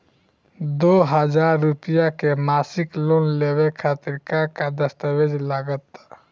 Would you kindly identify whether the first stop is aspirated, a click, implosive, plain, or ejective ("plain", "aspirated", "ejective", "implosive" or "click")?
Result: plain